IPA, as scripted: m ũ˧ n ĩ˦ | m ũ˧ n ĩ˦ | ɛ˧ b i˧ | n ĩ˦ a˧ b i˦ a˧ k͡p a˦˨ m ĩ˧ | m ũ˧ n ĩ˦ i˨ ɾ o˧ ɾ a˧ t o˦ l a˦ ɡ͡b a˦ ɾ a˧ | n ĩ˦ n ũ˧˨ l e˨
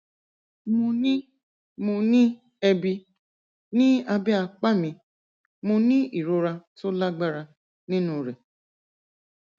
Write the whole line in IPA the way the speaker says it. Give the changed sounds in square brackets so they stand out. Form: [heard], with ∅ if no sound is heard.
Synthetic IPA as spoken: m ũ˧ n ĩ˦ | m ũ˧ n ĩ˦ | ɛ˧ b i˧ | n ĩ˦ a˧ b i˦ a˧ k͡p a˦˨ m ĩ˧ | m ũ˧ n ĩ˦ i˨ ɾ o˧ ɾ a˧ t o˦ l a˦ ɡ͡b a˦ ɾ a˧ | n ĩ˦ n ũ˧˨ [ɾ] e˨